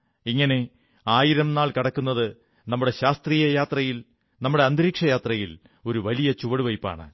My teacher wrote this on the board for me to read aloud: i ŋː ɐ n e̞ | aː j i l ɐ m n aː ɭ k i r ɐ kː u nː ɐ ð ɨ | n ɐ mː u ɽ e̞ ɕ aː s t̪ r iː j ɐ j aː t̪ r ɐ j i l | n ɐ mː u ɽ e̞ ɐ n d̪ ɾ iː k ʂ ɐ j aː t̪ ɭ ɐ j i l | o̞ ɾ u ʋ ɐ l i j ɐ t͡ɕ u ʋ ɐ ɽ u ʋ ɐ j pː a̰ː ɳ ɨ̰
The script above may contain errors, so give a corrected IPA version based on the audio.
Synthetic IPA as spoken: i ŋː ɐ n e̞ | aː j i ɾ ɐ m n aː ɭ k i ɽ ɐ kː u nː ɐ ð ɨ | n ɐ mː u ɽ e̞ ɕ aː s t̪ r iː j ɐ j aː t̪ r ɐ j i l | n ɐ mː u ɽ e̞ ɐ n d̪ ɾ iː k ʂ ɐ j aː t̪ r ɐ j i l | o̞ ɾ u ʋ ɐ l i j ɐ t͡ɕ u ʋ ɐ ɽ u ʋ ɐ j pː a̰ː ɳ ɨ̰